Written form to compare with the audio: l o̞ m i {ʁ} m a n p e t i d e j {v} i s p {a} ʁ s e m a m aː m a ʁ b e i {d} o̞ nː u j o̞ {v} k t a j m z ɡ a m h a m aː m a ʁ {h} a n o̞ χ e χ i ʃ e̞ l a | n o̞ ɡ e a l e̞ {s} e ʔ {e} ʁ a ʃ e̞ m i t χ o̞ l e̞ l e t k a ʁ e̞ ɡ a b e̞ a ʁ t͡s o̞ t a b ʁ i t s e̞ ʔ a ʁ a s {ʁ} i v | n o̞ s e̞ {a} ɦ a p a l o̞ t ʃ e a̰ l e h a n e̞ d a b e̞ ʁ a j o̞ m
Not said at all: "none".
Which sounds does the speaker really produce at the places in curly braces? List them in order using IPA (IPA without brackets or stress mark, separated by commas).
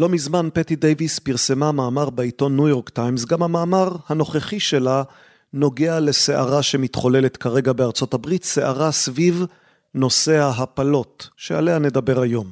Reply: z, v, i, t, ʁ, h, s, a, v, a